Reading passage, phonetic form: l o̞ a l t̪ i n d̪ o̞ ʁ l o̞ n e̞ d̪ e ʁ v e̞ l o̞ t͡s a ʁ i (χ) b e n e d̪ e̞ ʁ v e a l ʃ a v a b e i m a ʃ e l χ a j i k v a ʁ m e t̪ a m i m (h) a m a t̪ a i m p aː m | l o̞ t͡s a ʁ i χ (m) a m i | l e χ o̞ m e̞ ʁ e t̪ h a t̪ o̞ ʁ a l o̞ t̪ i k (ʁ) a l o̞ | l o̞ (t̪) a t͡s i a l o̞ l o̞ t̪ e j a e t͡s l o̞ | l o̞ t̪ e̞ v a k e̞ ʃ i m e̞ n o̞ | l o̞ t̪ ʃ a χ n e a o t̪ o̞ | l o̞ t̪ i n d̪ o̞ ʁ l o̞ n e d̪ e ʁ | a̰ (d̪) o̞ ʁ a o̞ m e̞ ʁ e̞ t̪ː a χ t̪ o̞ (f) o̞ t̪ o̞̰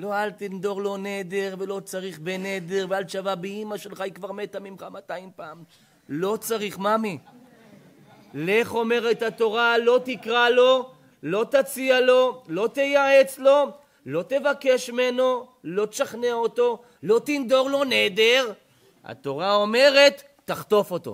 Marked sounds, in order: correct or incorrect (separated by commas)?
correct, incorrect, correct, correct, correct, incorrect, correct